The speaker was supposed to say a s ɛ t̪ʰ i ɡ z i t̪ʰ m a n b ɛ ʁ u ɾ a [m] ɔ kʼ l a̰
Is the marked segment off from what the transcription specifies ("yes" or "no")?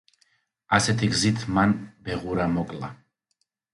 no